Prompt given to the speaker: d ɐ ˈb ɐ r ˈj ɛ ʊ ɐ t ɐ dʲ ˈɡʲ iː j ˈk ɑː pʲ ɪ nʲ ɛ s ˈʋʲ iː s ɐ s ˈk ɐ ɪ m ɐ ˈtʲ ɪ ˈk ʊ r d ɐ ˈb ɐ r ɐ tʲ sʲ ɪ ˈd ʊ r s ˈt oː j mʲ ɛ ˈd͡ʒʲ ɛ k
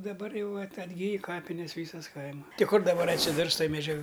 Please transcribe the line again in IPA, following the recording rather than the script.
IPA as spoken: d ɐ ˈb ɐ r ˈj ɛ ʊ ɐ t ɐ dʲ ˈɡʲ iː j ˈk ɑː pʲ ɪ nʲ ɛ s ˈʋʲ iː s ɐ s ˈk ɐ ɪ m ɐ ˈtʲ ɪ ˈk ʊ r d ɐ ˈb ɐ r ɐ tʲ sʲ ɪ ˈd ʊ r s ˈt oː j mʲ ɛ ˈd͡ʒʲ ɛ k